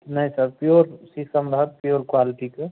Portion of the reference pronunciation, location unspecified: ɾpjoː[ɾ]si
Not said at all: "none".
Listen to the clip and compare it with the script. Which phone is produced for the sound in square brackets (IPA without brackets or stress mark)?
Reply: ɾ